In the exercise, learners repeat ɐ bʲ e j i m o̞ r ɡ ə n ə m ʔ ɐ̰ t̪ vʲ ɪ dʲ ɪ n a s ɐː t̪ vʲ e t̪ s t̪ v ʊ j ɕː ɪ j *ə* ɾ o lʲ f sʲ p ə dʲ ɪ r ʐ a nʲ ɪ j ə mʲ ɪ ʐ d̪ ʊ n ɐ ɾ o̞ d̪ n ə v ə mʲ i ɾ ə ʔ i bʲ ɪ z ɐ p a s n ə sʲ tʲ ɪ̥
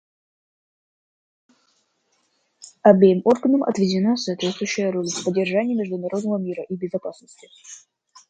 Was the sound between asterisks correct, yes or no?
yes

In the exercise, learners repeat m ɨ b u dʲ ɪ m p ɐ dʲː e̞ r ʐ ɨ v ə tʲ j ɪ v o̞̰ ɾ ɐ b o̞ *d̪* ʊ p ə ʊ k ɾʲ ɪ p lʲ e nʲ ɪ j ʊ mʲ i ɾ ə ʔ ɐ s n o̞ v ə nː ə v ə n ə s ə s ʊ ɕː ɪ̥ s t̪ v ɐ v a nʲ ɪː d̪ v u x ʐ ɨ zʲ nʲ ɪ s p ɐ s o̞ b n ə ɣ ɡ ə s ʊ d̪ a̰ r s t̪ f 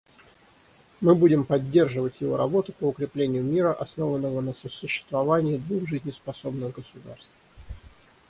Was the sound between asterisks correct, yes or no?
no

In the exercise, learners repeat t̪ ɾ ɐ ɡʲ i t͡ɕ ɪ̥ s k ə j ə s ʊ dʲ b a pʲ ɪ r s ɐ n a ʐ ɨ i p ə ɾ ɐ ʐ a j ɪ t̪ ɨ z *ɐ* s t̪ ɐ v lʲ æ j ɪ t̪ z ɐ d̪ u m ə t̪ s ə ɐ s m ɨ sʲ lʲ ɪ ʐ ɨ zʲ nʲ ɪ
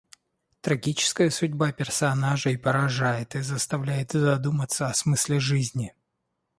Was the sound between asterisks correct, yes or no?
no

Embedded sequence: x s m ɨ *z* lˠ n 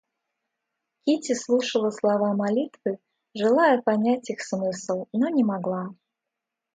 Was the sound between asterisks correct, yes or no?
no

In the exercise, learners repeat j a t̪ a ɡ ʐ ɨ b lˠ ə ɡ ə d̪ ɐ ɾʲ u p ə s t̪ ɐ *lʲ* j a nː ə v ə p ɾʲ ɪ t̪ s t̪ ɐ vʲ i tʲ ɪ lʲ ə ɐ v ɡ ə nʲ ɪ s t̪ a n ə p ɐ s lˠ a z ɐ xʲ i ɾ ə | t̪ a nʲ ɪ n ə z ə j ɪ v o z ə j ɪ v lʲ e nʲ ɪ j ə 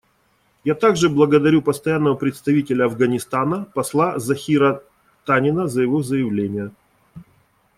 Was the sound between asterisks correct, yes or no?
no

